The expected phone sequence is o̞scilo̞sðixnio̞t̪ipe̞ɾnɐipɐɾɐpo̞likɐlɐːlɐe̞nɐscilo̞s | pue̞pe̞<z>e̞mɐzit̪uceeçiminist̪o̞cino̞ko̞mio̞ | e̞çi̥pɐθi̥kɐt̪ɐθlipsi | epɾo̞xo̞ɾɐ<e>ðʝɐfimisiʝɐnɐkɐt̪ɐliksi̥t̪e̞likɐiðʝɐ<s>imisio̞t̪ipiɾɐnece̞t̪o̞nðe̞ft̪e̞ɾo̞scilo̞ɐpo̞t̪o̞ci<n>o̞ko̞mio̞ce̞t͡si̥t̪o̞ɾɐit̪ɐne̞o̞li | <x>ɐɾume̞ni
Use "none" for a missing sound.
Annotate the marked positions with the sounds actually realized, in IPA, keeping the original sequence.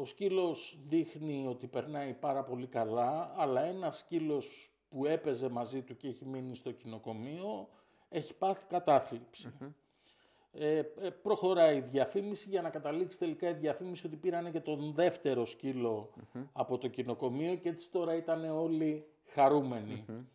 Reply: z, i, f, n, x

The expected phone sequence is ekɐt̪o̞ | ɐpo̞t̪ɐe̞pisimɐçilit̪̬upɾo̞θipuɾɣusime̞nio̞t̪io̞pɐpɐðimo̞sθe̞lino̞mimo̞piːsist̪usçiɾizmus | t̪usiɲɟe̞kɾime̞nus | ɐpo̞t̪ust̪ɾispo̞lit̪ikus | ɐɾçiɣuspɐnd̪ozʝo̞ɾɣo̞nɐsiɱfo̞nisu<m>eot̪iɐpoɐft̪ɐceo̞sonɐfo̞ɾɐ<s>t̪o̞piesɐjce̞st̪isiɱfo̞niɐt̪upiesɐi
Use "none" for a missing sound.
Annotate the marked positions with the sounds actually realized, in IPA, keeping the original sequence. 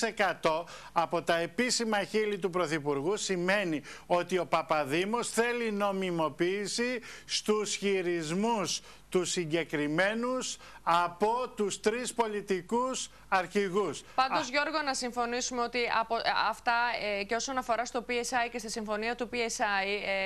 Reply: m, s

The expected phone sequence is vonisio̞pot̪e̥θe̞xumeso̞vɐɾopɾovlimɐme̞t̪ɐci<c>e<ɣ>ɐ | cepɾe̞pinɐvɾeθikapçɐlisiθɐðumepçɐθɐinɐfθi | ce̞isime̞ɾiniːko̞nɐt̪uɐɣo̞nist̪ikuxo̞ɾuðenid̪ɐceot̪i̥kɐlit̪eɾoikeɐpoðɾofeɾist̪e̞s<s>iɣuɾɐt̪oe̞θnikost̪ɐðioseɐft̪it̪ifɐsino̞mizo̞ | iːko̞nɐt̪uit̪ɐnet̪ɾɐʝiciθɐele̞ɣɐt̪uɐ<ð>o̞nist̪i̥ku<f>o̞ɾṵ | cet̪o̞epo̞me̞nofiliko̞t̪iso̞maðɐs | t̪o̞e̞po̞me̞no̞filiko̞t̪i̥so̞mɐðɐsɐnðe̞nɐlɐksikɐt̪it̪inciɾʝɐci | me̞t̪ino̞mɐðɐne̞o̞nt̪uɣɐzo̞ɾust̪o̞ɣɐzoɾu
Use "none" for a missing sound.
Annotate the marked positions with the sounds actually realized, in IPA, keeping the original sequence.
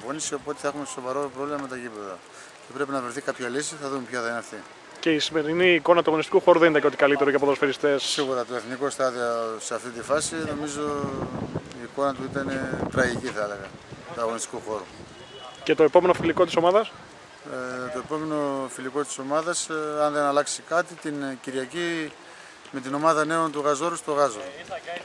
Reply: p, ð, s, ɣ, x

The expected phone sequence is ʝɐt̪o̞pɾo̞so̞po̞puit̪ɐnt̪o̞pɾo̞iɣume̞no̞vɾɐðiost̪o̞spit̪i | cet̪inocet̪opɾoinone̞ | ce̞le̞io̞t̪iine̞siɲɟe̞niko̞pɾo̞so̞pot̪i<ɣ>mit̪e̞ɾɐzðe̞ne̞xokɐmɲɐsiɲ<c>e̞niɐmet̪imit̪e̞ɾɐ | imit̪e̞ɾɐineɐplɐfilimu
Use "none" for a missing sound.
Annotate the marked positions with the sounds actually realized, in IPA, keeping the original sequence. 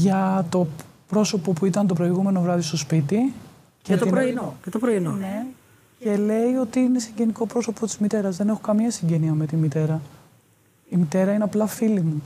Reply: z, ɟ

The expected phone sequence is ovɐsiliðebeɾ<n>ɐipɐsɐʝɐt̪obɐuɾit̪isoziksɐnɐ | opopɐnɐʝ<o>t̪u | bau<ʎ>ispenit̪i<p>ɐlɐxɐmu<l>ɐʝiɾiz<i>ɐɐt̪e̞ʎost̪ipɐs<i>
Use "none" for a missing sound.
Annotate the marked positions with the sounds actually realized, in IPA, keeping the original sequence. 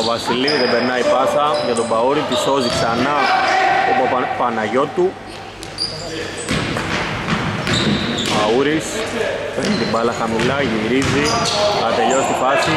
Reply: n, o, ɾ, b, l, i, i

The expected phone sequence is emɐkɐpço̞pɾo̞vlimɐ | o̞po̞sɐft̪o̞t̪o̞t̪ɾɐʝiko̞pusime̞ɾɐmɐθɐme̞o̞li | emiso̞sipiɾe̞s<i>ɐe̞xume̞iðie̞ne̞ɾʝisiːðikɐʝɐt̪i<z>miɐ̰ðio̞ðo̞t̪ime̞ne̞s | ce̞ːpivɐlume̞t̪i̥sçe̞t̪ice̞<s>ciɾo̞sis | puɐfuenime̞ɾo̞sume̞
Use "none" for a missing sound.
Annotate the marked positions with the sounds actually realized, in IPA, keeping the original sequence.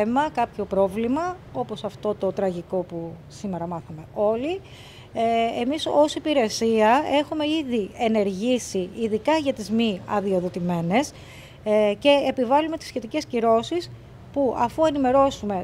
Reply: i, z, s

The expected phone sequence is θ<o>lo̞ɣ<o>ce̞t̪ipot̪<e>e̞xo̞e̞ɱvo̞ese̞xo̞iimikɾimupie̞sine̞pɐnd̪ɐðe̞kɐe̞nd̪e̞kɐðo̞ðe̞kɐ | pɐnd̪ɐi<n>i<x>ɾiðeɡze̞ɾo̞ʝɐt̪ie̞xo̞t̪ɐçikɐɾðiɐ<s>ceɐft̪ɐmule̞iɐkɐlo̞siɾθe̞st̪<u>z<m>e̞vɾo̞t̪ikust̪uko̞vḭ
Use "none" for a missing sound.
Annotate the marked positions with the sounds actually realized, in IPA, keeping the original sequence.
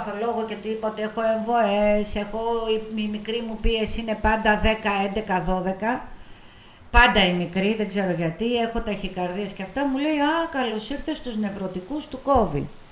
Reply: o, o, e, m, k, s, u, n

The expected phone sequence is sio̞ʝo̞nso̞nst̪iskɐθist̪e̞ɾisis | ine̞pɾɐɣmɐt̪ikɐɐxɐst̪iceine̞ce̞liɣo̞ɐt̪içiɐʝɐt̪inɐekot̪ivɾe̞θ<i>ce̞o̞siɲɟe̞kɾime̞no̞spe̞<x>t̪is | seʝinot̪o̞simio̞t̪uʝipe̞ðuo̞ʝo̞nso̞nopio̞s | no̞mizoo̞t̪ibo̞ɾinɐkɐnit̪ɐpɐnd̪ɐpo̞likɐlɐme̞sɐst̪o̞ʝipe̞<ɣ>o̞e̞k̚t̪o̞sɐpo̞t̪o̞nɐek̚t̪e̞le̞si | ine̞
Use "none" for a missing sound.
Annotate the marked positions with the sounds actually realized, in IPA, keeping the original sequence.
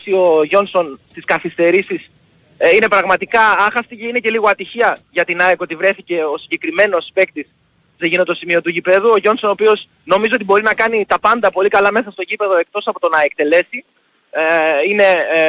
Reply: i, k, ð

